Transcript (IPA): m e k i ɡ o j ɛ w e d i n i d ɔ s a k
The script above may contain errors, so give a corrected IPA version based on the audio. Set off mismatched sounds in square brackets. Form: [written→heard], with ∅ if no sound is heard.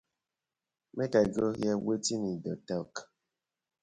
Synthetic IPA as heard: m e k [i→a] ɡ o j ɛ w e [d→t] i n i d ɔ [s→t] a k